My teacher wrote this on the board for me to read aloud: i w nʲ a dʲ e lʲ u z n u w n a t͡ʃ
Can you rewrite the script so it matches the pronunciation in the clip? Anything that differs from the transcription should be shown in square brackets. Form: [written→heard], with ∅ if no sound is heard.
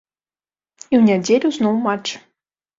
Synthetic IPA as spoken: i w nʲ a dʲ e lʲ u z n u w [n→m] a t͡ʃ

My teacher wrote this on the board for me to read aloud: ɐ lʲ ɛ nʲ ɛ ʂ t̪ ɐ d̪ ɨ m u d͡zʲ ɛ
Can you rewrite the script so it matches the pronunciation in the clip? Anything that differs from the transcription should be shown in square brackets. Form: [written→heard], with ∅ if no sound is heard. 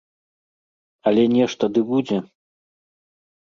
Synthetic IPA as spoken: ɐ lʲ ɛ nʲ ɛ ʂ t̪ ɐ d̪ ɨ [m→b] u d͡zʲ ɛ

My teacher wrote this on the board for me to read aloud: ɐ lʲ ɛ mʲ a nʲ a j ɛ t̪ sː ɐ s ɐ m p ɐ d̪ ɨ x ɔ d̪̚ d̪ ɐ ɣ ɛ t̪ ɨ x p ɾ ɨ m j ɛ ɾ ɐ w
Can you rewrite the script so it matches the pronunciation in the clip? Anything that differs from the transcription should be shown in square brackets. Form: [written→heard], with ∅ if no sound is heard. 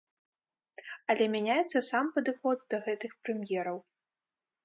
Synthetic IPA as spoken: ɐ lʲ ɛ mʲ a nʲ a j ɛ t̪ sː ɐ s [ɐ→a] m p ɐ d̪ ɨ x ɔ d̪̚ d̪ ɐ ɣ ɛ t̪ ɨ x p ɾ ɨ m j ɛ ɾ ɐ w

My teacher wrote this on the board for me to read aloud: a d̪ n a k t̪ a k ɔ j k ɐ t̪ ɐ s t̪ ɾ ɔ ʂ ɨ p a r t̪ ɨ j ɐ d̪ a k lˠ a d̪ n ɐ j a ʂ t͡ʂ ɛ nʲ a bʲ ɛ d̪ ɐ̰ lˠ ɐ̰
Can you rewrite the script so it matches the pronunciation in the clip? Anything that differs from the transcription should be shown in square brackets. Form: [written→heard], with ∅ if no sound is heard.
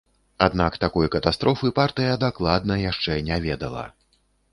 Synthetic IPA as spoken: a d̪ n a k t̪ a k ɔ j k ɐ t̪ [ɐ→a] s t̪ ɾ ɔ [ʂ→f] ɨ p a r t̪ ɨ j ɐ d̪ a k lˠ a d̪ n ɐ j a ʂ t͡ʂ ɛ nʲ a [bʲ→vʲ] ɛ d̪ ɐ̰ lˠ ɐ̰

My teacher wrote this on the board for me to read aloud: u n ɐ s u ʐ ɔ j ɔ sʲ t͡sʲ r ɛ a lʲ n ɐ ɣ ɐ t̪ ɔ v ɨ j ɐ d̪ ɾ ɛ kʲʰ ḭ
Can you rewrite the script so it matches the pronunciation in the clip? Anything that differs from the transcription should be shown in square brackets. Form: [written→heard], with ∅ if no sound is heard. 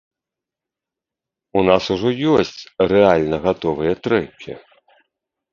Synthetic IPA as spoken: u n [ɐ→a] s u ʐ ɔ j ɔ sʲ t͡sʲ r ɛ a lʲ n ɐ ɣ [ɐ→a] t̪ ɔ v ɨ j ɐ [d̪→t̪] ɾ ɛ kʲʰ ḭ

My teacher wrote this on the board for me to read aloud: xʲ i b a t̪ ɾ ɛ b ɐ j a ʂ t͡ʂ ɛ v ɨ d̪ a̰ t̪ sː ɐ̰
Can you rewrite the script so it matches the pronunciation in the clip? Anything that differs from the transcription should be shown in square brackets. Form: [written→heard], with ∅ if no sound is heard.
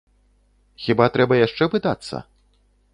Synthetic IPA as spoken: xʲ i b a t̪ ɾ ɛ b ɐ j a ʂ t͡ʂ ɛ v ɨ d̪ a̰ t̪ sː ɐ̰

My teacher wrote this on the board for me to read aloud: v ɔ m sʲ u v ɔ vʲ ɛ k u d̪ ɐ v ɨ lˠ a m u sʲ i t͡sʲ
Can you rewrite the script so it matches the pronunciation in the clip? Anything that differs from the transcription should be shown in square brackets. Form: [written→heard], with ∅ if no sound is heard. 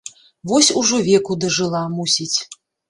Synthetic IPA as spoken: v ɔ [m→∅] sʲ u [v→ʐ] ɔ vʲ ɛ k u d̪ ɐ [v→ʐ] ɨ lˠ a m u sʲ i t͡sʲ

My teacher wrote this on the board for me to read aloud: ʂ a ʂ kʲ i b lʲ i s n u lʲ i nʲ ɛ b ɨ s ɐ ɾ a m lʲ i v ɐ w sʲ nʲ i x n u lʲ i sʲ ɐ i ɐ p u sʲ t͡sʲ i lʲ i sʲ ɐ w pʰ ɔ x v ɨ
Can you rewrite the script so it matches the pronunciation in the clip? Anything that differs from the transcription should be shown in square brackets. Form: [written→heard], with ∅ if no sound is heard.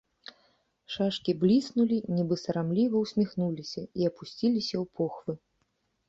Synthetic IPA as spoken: ʂ a ʂ kʲ i b lʲ i s n u lʲ i nʲ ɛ b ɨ s ɐ ɾ a m lʲ i v ɐ w sʲ [nʲ→mʲ] i x n u lʲ i sʲ ɐ i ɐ p u sʲ t͡sʲ i lʲ i sʲ ɐ w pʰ ɔ x v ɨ

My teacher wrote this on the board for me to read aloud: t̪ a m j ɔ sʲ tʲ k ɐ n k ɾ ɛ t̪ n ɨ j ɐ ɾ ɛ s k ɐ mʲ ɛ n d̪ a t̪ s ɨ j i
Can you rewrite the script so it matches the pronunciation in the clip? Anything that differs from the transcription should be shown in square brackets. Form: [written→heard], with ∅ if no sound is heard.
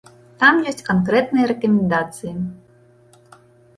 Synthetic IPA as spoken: t̪ a m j ɔ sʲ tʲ k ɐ n k ɾ ɛ t̪ n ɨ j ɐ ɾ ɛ [s→∅] k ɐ mʲ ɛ n d̪ a t̪ s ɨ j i

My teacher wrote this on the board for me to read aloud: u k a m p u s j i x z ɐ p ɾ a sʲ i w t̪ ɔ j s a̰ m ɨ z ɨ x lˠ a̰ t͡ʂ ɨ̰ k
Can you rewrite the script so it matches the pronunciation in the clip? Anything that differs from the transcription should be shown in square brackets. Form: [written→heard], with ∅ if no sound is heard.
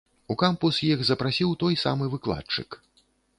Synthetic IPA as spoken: u k a m p u s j i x z ɐ p ɾ a sʲ i w t̪ ɔ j s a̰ m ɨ [z→v] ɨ [x→k] lˠ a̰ t͡ʂ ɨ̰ k

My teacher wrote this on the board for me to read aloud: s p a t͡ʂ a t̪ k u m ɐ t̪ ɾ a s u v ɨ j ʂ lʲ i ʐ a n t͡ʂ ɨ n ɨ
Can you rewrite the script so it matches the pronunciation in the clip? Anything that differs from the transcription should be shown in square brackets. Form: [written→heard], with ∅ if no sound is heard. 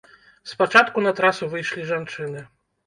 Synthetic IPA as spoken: s p a t͡ʂ a t̪ k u [m→n] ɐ t̪ ɾ a s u v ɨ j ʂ lʲ i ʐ a n t͡ʂ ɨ n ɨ

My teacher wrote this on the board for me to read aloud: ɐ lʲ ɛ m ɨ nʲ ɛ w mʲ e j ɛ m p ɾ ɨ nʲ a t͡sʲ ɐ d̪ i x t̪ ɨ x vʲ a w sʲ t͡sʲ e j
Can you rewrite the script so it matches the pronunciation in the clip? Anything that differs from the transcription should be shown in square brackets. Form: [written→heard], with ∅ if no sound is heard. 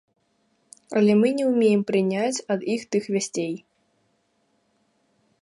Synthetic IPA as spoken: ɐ lʲ ɛ m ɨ nʲ ɛ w mʲ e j ɛ m p ɾ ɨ nʲ a t͡sʲ ɐ d̪ i x t̪ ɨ x vʲ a [w→∅] sʲ t͡sʲ e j

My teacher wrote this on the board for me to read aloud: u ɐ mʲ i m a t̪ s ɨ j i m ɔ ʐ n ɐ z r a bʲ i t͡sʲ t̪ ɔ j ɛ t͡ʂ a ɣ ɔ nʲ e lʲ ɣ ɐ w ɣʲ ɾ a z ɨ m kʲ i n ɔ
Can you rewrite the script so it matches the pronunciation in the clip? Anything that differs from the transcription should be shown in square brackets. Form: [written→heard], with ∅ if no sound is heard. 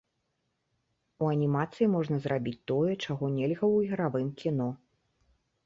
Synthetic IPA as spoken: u ɐ [mʲ→nʲ] i m a t̪ s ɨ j i m ɔ ʐ n ɐ z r a bʲ i t͡sʲ t̪ ɔ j ɛ t͡ʂ a ɣ ɔ nʲ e lʲ ɣ ɐ w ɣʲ ɾ a [z→v] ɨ m kʲ i n ɔ

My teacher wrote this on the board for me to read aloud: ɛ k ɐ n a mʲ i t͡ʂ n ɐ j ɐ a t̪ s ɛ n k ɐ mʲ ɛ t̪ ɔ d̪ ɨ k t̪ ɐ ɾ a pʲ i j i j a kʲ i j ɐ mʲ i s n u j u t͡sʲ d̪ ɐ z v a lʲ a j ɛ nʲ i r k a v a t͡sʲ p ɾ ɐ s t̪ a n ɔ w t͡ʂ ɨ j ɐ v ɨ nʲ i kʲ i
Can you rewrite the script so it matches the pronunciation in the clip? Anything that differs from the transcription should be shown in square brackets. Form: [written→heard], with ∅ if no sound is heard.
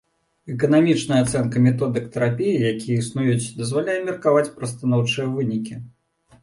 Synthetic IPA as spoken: ɛ k ɐ n a mʲ i t͡ʂ n ɐ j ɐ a t̪ s ɛ n k ɐ mʲ ɛ t̪ ɔ d̪ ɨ k t̪ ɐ ɾ a pʲ i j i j a kʲ i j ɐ [mʲ→∅] i s n u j u t͡sʲ d̪ ɐ z v a lʲ a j ɛ [nʲ→mʲ] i r k a v a t͡sʲ p ɾ ɐ s t̪ a n ɔ w t͡ʂ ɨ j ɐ v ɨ nʲ i kʲ i

